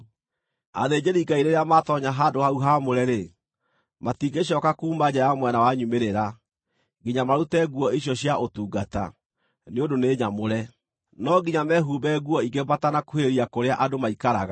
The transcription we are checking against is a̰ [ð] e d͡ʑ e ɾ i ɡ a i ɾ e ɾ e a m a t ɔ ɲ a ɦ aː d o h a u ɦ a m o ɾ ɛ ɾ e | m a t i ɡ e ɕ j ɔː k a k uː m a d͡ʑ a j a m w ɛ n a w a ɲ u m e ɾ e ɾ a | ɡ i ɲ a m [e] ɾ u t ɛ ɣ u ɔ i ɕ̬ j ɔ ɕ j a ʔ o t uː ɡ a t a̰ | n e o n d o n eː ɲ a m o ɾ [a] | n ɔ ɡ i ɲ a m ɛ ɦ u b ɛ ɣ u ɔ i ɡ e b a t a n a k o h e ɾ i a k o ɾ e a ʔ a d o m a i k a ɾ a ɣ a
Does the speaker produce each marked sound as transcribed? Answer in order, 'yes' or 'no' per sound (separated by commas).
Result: yes, no, no